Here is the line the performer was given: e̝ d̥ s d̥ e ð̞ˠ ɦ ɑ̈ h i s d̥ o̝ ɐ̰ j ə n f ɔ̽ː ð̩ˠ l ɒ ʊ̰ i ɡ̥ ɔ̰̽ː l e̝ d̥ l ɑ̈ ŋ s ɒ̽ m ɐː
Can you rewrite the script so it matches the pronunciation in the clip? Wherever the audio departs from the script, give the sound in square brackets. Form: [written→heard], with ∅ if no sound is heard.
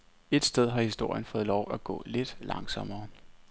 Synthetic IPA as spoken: e̝ d̥ s d̥ e ð̞ˠ ɦ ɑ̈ h i s d̥ o̝ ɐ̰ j ə n f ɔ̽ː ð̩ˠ l ɒ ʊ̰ [i→æ] ɡ̥ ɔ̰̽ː l e̝ d̥ l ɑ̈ ŋ s ɒ̽ m ɐː